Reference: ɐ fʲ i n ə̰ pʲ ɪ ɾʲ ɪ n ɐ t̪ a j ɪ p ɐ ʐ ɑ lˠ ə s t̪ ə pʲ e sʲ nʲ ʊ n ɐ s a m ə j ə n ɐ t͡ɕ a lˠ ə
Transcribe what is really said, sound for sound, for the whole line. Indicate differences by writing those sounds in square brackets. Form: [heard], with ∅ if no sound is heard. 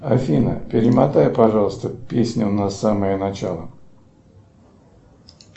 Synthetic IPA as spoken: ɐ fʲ i n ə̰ pʲ ɪ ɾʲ ɪ [m] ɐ t̪ a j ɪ p ɐ ʐ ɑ lˠ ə s t̪ ə pʲ e sʲ nʲ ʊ n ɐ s a m ə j ə n ɐ t͡ɕ a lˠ ə